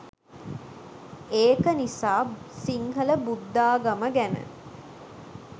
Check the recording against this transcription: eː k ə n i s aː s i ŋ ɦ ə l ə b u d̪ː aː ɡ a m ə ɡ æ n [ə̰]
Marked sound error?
no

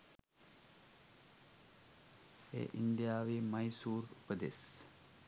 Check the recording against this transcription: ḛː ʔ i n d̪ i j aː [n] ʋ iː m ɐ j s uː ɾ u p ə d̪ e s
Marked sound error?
yes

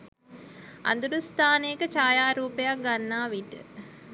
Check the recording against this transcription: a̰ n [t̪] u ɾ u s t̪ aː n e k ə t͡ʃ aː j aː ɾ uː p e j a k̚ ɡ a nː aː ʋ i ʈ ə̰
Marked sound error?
yes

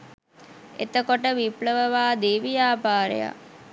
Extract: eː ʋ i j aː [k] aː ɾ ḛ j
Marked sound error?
yes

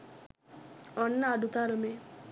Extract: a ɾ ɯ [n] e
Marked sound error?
yes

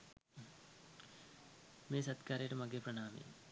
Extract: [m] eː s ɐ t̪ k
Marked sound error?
no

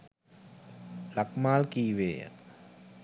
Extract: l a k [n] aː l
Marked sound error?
yes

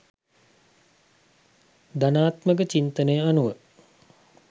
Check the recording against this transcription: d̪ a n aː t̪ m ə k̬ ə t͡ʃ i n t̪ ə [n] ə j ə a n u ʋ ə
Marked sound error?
no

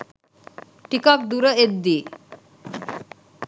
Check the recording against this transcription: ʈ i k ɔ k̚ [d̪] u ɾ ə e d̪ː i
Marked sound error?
no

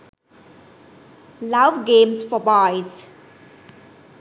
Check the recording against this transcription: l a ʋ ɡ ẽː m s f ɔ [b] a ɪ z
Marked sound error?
no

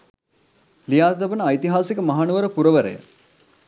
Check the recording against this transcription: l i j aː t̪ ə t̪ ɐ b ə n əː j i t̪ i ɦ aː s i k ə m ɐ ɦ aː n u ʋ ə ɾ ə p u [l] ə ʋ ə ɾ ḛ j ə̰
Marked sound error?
yes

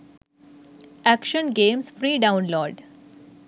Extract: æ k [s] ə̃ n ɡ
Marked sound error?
yes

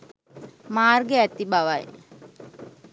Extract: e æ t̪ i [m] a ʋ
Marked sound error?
yes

